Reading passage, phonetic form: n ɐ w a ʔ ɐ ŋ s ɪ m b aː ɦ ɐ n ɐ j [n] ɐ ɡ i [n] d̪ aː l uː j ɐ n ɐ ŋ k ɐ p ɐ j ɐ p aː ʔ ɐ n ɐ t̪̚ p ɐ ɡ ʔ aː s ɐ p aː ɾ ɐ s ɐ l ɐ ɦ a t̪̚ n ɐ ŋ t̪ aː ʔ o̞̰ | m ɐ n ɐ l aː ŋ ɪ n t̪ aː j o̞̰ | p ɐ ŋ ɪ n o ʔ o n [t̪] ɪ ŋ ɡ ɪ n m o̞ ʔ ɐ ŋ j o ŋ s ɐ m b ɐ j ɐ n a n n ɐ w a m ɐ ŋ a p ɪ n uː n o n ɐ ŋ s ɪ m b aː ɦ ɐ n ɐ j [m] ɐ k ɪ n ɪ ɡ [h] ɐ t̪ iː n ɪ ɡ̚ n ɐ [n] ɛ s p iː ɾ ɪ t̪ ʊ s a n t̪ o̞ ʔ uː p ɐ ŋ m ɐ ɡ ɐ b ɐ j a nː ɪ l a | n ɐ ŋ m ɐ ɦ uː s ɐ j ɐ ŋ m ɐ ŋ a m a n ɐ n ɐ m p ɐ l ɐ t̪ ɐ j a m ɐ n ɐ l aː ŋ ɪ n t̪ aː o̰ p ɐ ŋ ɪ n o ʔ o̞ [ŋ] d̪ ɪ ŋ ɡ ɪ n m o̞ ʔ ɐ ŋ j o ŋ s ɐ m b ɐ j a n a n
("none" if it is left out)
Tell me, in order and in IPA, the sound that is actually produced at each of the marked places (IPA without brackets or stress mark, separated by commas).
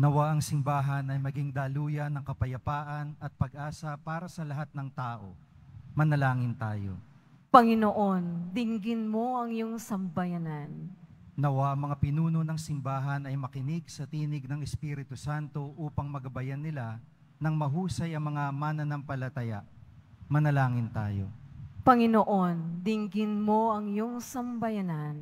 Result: m, ŋ, d̪, m, s, ŋ, n